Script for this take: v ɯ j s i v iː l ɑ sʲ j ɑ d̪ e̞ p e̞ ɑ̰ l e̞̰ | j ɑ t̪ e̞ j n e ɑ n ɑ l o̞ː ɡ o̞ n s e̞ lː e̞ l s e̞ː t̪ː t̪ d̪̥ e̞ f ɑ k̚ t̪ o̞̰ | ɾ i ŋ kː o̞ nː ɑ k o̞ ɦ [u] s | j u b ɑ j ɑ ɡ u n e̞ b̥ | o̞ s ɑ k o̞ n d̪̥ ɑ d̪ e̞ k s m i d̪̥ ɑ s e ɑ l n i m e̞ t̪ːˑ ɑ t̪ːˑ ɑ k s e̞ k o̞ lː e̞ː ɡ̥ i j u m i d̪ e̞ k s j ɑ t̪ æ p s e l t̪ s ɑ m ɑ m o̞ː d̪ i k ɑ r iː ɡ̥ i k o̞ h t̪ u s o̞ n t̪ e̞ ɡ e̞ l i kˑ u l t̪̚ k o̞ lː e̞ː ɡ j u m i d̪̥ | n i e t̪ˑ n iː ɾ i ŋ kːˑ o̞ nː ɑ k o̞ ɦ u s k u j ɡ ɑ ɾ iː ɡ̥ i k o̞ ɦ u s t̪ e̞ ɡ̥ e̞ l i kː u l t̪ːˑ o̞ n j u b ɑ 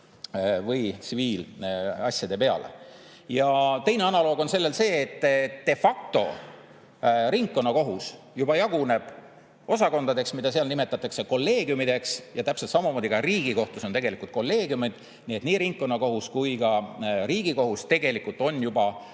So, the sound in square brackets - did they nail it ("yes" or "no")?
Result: yes